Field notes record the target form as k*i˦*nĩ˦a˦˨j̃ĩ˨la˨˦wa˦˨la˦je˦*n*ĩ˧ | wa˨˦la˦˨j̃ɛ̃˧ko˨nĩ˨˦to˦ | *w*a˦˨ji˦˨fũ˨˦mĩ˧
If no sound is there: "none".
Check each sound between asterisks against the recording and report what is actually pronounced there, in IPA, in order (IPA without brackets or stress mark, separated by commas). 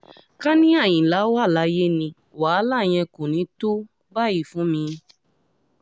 a˦, n, b